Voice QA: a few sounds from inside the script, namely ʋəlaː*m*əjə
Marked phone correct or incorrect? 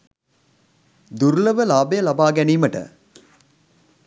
incorrect